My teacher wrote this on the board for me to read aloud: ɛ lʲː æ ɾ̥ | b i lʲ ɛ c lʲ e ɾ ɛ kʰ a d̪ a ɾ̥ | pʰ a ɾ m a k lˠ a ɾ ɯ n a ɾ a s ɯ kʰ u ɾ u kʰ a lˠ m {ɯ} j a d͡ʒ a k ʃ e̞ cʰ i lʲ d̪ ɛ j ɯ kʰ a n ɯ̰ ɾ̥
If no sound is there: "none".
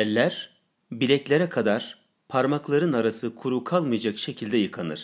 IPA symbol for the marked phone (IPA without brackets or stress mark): ɯ